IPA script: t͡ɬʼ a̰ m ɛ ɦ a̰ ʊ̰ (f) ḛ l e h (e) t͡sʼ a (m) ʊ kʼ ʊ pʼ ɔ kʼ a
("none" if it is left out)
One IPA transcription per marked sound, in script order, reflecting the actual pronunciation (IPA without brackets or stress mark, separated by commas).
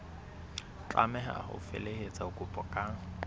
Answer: f, e, none